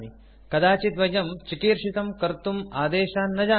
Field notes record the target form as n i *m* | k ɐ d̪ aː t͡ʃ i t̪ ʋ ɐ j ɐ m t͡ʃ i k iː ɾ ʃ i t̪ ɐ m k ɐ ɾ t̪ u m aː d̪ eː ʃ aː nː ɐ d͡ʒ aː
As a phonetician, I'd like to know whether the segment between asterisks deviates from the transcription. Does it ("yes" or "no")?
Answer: yes